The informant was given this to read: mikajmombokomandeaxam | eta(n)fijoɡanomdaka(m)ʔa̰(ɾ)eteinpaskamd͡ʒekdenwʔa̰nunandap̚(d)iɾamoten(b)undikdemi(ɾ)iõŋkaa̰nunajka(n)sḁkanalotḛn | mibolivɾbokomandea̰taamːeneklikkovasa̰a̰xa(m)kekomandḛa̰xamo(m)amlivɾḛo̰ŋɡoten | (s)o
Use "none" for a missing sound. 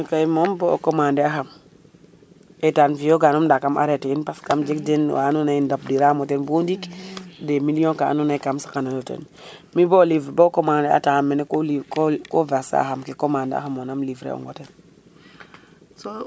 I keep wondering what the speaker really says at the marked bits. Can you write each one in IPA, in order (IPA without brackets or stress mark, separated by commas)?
n, m, ɾ, d, b, l, m, m, n, s